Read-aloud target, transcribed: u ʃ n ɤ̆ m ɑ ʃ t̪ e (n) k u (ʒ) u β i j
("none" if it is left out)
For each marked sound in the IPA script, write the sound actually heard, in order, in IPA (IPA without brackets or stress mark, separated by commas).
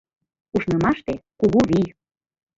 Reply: none, ɣ